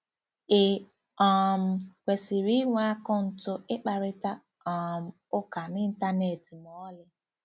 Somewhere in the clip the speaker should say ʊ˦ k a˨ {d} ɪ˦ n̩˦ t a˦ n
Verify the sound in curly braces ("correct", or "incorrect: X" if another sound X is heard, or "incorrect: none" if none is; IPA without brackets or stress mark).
incorrect: n